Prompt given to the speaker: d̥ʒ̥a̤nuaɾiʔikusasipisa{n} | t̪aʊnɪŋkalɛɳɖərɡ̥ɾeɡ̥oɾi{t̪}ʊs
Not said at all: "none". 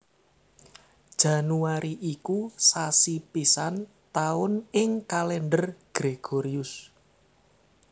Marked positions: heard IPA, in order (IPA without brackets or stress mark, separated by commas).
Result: n, none